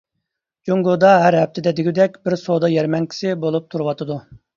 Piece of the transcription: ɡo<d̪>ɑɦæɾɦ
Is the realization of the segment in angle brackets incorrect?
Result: no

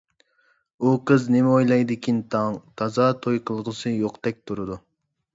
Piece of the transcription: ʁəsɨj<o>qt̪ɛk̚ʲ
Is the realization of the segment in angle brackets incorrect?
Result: no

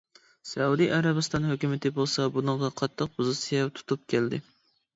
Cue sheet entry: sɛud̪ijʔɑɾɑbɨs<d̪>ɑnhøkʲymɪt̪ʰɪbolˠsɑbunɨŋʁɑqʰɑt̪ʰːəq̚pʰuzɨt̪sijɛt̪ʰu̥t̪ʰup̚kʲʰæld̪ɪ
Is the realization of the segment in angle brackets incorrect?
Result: yes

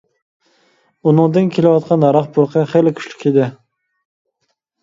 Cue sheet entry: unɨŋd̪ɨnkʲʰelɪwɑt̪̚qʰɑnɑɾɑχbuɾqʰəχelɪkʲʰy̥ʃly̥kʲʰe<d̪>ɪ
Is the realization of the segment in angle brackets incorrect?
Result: no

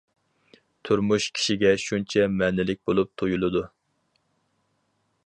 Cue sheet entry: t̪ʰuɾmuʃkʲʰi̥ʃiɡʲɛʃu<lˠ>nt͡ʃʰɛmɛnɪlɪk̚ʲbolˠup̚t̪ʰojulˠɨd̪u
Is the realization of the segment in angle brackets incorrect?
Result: yes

